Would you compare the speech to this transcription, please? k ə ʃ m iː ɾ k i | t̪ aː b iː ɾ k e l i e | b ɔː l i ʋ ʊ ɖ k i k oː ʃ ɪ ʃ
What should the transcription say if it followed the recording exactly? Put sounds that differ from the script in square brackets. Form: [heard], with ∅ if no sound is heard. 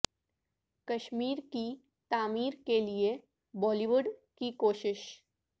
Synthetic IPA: k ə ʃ m iː ɾ k i | t̪ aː [m] iː ɾ k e l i e | b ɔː l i ʋ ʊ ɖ k i k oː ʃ ɪ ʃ